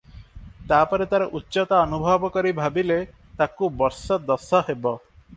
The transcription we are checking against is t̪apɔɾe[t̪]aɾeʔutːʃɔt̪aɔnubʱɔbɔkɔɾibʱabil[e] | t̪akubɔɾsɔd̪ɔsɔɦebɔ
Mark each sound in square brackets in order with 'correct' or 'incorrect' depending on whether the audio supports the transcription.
correct, correct

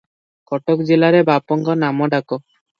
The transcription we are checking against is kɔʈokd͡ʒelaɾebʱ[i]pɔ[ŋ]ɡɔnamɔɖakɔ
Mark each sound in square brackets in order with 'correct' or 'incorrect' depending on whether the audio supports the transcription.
incorrect: a, correct

